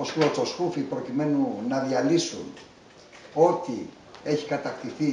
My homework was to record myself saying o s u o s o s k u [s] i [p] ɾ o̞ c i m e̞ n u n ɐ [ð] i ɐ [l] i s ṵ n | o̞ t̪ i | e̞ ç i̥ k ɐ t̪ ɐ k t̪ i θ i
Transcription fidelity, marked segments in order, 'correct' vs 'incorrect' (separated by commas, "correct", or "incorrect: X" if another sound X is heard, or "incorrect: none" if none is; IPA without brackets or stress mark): incorrect: f, correct, correct, correct